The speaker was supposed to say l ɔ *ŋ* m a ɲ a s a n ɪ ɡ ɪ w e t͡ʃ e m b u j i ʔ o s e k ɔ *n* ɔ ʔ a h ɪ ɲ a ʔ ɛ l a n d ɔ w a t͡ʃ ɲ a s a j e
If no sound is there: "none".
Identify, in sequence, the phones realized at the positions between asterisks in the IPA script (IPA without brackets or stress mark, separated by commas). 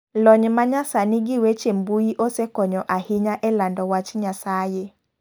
ɲ, ɲ